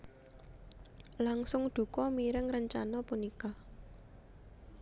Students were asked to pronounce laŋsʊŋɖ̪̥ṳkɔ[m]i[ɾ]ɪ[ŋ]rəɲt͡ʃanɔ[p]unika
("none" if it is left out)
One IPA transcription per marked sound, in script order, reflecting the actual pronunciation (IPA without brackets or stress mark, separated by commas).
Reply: m, ɾ, ŋ, p